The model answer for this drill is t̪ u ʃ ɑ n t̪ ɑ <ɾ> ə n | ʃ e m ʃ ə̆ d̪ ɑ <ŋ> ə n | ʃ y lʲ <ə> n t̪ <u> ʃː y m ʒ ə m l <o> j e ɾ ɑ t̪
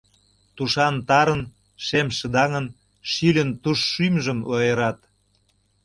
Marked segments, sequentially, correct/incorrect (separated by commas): correct, correct, correct, correct, correct